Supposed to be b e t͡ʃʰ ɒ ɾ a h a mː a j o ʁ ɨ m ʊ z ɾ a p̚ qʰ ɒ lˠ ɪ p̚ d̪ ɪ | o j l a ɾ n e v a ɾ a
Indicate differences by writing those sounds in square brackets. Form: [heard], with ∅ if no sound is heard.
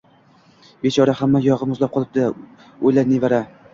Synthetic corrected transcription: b e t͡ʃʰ ɒ ɾ a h a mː a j [ɒ] ʁ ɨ m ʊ z [l] a p̚ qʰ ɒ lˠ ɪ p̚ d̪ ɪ | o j l a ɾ n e v a ɾ a